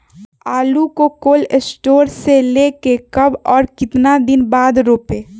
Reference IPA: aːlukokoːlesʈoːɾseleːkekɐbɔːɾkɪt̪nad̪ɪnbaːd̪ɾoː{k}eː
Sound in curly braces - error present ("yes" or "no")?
yes